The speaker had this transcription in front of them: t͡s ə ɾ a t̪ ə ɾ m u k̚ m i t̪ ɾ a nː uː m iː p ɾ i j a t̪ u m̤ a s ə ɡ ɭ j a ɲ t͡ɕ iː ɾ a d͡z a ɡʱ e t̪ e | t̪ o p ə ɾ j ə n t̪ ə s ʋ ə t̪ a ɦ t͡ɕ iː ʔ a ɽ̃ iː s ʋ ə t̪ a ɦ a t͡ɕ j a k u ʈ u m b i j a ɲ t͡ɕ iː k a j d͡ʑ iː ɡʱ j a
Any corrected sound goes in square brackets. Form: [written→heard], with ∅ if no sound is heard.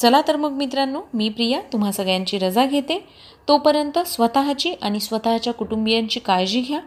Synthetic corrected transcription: t͡s ə [ɾ→l] a t̪ ə ɾ m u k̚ m i t̪ ɾ a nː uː m iː p ɾ i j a t̪ u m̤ a s ə ɡ ɭ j a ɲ t͡ɕ iː ɾ [a→ə] d͡z a ɡʱ e t̪ e | t̪ o p ə ɾ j ə n t̪ ə s ʋ ə t̪ a ɦ t͡ɕ iː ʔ a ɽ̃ [iː→i] s ʋ ə t̪ a ɦ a t͡ɕ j a k u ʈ u m b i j a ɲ t͡ɕ iː k a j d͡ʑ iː ɡʱ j a